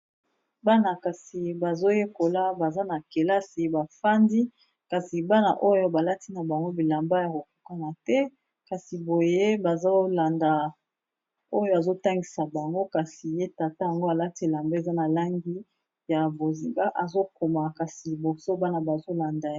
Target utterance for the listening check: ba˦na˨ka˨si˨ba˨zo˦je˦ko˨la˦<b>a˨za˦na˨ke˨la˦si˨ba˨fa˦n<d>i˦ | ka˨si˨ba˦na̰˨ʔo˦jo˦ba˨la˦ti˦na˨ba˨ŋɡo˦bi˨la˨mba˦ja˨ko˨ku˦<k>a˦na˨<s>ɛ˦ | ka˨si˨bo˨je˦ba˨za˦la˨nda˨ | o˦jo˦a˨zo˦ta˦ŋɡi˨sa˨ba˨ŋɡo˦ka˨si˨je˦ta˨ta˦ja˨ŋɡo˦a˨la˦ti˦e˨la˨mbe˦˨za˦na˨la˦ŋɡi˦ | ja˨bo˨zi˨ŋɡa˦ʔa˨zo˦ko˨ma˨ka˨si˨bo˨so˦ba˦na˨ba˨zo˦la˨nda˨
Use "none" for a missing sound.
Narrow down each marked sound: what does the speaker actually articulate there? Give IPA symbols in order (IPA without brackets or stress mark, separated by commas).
b, d, k, t